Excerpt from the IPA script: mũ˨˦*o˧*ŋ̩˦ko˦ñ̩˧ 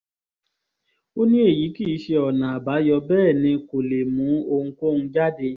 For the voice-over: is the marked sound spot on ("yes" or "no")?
yes